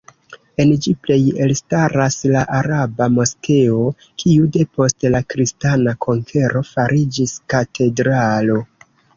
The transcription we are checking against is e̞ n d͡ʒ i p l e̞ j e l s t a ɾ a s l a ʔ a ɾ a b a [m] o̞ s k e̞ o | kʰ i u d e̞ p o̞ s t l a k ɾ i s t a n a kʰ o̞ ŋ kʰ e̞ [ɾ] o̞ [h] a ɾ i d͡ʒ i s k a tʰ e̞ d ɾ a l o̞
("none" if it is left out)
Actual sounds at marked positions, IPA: m, ɾ, f

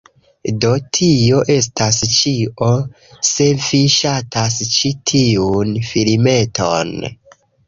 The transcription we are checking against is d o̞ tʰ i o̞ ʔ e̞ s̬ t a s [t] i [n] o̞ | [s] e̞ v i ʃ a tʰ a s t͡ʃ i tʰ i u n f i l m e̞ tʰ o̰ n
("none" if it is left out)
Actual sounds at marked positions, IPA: t͡ʃ, none, s

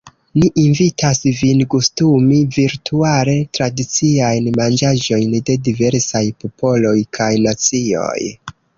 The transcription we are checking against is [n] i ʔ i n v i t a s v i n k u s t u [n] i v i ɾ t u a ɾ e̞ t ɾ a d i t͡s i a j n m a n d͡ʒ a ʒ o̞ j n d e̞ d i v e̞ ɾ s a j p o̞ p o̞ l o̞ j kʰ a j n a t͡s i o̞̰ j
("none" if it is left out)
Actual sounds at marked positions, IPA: n, m

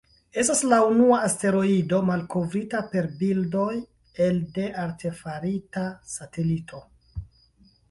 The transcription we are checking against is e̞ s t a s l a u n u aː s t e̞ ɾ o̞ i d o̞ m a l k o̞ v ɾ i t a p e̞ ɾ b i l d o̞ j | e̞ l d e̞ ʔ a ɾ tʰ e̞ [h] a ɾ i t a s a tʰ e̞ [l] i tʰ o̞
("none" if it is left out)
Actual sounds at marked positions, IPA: f, l

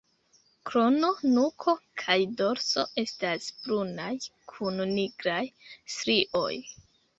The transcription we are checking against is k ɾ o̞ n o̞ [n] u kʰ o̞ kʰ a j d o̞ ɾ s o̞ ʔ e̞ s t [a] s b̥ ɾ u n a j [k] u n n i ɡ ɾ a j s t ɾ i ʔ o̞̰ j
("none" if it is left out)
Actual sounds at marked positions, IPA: n, a, kʰ

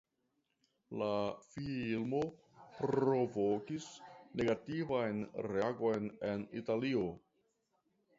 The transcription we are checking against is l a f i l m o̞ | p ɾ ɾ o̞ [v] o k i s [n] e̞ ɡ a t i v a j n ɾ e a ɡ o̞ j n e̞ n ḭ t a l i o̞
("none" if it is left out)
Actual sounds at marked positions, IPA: v, n

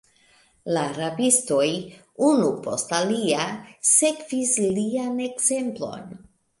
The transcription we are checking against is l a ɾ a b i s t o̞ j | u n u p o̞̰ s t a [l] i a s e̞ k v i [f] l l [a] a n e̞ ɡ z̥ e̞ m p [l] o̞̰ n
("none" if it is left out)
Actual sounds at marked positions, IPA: l, s, i, l

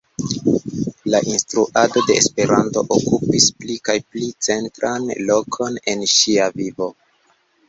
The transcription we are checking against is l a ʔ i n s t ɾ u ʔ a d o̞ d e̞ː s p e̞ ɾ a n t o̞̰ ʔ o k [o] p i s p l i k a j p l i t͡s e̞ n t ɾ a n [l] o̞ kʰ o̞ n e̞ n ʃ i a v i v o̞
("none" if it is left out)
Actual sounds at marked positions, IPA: u, l

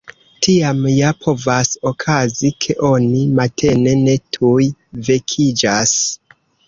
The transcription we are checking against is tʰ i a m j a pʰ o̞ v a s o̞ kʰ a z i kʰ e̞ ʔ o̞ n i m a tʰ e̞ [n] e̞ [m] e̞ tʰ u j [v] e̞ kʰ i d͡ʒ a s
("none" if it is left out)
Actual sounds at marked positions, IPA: n, n, v

